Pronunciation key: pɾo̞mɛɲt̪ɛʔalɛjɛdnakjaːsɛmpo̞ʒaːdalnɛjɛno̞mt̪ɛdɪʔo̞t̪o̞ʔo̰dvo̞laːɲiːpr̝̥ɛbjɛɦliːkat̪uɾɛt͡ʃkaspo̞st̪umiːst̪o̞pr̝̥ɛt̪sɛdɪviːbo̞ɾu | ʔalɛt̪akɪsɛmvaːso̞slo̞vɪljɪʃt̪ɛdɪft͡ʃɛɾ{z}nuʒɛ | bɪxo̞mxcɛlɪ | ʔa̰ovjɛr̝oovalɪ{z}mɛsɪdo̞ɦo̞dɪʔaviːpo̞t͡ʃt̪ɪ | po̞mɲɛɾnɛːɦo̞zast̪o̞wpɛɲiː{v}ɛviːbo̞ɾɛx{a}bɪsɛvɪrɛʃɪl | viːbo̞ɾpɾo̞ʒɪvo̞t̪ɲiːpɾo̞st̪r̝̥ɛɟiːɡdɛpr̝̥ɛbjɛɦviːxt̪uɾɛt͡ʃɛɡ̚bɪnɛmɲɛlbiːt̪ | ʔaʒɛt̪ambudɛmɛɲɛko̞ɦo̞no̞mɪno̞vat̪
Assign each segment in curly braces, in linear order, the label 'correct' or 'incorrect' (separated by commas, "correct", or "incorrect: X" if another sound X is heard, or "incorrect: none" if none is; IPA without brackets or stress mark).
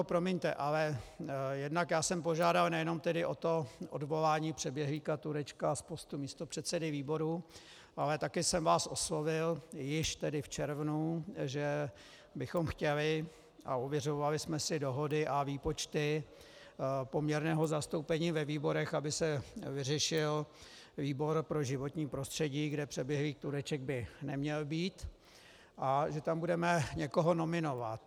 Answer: incorrect: v, incorrect: s, correct, correct